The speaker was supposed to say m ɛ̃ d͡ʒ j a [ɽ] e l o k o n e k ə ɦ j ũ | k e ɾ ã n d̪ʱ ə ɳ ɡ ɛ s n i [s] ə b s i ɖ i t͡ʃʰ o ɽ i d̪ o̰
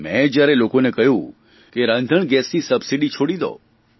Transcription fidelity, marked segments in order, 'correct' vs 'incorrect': incorrect, correct

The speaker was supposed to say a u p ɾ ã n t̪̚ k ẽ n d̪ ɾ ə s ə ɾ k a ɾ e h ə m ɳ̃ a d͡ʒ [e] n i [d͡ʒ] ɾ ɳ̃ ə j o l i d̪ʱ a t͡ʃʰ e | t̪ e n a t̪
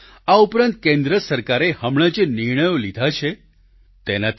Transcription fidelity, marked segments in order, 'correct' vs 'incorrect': correct, incorrect

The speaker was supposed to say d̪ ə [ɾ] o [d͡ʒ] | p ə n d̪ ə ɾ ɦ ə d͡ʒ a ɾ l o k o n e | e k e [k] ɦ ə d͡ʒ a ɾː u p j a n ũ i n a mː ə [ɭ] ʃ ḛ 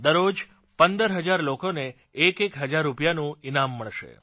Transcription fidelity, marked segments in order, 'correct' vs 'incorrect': correct, correct, correct, correct

